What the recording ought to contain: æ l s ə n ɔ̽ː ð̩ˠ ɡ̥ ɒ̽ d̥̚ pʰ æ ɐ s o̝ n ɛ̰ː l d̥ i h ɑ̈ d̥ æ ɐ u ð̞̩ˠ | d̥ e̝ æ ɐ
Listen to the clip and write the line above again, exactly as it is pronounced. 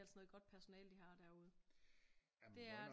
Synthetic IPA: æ l s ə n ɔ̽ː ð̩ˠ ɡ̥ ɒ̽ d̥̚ pʰ æ ɐ s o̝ n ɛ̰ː l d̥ i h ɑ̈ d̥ æ ɐ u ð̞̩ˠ | d̥ e̝ æ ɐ